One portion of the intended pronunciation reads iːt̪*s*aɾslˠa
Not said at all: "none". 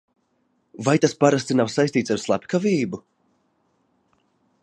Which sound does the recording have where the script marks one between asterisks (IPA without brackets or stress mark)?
s